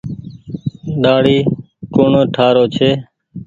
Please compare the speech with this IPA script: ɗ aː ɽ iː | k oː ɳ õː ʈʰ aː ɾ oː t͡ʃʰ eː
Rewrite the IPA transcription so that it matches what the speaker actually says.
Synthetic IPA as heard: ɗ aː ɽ iː | k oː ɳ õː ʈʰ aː ɾ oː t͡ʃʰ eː